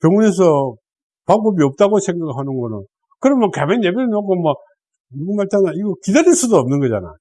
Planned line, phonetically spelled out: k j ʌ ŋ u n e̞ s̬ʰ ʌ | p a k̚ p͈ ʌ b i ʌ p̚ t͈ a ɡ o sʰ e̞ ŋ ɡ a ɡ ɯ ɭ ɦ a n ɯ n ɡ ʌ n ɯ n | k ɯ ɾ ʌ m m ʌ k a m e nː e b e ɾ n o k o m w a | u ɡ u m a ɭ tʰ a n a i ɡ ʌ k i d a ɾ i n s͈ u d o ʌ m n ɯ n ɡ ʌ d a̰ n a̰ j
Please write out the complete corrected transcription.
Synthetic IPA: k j ʌ ŋ u n e̞ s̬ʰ ʌ | p a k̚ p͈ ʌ b i ʌ p̚ t͈ a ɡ o sʰ e̞ ŋ ɡ a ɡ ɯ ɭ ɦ a n ɯ n ɡ ʌ n ɯ n | k ɯ ɾ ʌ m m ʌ k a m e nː e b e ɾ n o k o m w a | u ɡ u m a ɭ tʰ a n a i ɡ ʌ k i d a ɾ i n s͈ u d o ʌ m n ɯ n ɡ ʌ d͡ʑ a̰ n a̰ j